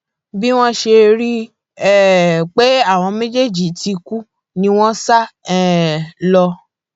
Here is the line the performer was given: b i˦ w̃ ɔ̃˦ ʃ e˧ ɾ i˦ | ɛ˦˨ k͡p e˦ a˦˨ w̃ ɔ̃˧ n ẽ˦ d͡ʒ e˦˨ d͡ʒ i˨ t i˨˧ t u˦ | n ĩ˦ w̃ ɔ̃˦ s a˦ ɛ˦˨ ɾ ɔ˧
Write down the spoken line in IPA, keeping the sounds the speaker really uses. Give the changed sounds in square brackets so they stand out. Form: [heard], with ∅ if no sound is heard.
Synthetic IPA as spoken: b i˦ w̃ ɔ̃˦ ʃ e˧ ɾ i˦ | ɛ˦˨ k͡p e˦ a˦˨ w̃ ɔ̃˧ [m] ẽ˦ d͡ʒ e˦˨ d͡ʒ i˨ t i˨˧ [k] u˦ | n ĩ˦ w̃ ɔ̃˦ s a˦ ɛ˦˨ [l] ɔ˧

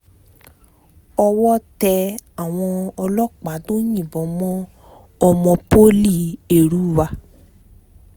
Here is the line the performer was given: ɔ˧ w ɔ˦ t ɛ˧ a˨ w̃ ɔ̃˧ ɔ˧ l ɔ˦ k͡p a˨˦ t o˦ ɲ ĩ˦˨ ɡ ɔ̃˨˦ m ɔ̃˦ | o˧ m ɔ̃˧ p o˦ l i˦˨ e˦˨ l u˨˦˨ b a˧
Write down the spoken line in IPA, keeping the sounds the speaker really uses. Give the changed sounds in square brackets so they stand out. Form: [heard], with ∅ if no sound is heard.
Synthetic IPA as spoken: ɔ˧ w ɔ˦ t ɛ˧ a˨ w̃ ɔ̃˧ ɔ˧ l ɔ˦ k͡p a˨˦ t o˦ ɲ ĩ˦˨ [b] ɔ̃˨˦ m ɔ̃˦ | [ɔ˧] m ɔ̃˧ p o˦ l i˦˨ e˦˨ [ɾ] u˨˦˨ [w] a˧

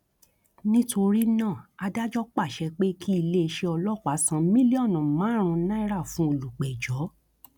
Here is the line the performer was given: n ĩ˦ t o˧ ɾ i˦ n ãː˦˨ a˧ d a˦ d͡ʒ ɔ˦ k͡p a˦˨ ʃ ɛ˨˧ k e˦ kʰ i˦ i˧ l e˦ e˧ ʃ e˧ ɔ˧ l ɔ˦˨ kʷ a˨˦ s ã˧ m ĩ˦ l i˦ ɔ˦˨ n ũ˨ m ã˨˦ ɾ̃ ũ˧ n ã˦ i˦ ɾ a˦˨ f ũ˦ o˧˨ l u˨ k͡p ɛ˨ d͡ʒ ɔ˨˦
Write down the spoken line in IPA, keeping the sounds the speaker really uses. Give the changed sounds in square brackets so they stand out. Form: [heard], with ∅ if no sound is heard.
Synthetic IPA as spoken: n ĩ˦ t o˧ ɾ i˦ n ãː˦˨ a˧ d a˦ d͡ʒ ɔ˦ k͡p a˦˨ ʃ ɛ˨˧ [k͡p] e˦ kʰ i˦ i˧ l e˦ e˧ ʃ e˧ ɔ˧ l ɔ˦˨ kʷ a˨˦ s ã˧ m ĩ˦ l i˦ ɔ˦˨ n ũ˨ m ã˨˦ ɾ̃ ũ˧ n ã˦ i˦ ɾ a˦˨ f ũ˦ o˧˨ l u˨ k͡p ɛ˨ d͡ʒ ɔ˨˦

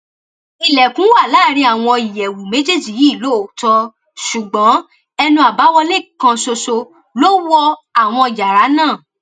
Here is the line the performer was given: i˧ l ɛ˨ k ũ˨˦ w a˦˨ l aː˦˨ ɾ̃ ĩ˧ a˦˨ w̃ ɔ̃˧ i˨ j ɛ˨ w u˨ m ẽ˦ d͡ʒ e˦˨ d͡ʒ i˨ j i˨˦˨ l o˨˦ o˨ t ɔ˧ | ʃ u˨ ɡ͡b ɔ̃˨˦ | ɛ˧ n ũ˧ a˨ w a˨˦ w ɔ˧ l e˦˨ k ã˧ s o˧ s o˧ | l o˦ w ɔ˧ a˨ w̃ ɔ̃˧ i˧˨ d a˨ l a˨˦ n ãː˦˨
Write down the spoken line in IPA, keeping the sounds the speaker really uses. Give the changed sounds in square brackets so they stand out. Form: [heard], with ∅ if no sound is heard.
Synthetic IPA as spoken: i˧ l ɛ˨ k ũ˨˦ w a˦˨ l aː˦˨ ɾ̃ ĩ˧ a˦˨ w̃ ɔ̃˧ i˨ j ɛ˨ w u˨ m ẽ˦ d͡ʒ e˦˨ d͡ʒ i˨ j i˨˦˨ l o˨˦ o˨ t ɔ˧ | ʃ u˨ ɡ͡b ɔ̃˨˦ | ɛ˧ n ũ˧ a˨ [b] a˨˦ w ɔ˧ l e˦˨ k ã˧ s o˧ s o˧ | l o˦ w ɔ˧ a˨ w̃ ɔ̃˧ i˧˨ [d͡ʒ] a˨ [ɾ] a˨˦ n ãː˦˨

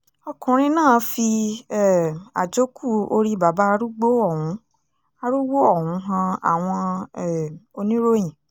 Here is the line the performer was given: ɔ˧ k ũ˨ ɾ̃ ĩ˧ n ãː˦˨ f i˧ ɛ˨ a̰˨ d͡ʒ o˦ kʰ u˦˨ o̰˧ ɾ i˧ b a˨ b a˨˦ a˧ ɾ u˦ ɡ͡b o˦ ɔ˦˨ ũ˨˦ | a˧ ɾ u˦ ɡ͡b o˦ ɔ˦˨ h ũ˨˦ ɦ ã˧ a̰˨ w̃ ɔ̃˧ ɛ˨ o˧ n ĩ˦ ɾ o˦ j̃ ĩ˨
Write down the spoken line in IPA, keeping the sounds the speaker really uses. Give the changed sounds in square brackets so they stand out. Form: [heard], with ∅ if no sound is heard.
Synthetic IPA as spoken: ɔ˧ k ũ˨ ɾ̃ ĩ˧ n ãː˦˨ f i˧ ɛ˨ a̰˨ d͡ʒ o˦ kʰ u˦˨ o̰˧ ɾ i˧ b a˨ b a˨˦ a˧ ɾ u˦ ɡ͡b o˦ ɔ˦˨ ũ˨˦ | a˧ ɾ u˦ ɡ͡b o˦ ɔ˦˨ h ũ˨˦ ɦ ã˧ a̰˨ w̃ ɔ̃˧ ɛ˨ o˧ n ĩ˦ ɾ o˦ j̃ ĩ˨

